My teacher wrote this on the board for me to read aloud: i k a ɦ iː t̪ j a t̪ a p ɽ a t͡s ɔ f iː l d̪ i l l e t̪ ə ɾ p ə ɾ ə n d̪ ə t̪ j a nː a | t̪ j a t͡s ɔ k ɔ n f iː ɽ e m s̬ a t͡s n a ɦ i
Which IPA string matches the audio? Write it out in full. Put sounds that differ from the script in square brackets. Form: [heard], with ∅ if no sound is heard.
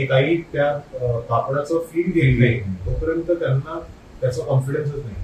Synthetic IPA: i k a ɦ iː t̪ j a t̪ a p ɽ a t͡s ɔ f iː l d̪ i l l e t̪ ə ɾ p ə ɾ ə n [t̪] ə t̪ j a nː a | t̪ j a t͡s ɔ k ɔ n f [i] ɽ e [n] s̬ [ə] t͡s n a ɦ i